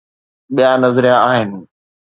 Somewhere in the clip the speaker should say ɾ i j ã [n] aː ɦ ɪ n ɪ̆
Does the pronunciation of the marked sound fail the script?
yes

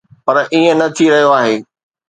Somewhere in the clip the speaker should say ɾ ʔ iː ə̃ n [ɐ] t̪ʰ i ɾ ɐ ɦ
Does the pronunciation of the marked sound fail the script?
no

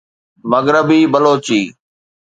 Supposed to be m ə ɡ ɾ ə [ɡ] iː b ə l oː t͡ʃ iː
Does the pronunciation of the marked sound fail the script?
yes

